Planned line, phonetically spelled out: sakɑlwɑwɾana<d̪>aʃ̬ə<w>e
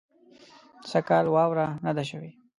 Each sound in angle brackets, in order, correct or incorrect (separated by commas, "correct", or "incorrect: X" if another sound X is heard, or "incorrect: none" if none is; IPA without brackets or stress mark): correct, correct